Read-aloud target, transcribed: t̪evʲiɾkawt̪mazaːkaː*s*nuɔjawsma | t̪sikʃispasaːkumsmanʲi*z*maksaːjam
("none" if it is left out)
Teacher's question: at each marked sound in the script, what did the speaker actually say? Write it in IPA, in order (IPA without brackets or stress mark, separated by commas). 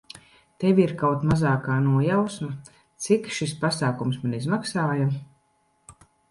none, z